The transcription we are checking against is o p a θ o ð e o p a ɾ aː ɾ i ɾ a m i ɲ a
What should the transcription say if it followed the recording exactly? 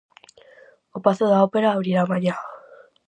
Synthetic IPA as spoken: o p a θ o ð a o p e ɾ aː ɾ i ɾ a m a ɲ a